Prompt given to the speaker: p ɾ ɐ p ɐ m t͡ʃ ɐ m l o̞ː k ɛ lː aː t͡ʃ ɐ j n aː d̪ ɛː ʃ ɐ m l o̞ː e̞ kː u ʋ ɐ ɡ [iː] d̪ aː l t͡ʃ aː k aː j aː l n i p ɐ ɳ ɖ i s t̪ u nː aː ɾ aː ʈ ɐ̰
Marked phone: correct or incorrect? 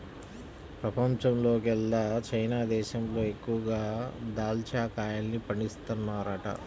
incorrect